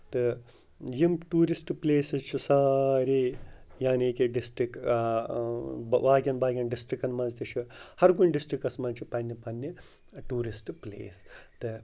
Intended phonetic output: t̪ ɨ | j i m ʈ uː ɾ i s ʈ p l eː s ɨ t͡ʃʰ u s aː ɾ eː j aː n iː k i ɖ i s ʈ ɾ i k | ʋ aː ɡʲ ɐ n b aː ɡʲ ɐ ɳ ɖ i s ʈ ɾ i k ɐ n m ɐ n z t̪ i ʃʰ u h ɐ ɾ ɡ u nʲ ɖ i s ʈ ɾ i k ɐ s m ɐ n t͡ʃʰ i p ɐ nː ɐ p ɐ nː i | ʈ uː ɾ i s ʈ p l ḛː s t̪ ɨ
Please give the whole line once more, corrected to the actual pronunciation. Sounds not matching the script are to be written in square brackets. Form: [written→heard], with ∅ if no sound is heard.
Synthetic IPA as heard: t̪ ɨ | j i m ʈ uː ɾ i s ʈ p l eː s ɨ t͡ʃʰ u s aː ɾ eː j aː n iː k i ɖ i s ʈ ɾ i k | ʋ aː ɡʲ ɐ n b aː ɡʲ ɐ [ɳ→n] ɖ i s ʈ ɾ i k ɐ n m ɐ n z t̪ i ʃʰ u h ɐ ɾ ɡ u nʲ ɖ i s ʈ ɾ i k ɐ s m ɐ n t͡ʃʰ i p ɐ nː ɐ p ɐ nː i | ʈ uː ɾ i s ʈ p l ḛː s t̪ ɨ